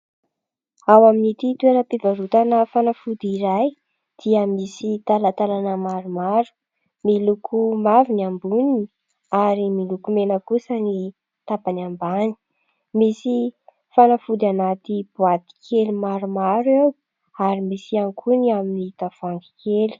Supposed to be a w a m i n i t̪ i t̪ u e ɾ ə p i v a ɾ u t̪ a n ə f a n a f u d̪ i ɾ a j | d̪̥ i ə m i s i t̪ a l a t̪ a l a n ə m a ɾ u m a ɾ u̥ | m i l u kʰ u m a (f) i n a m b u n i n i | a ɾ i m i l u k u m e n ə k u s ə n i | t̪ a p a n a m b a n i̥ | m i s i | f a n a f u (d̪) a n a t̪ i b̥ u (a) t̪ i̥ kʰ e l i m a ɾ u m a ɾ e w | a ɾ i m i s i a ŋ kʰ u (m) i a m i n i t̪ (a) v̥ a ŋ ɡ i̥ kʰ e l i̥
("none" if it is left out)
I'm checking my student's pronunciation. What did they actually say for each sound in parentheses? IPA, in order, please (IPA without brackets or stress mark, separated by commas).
v, d̪, a, n, a